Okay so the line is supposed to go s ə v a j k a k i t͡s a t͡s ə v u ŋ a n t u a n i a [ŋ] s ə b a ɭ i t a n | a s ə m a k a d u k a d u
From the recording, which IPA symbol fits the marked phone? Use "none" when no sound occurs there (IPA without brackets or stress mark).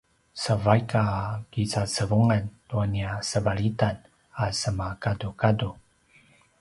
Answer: none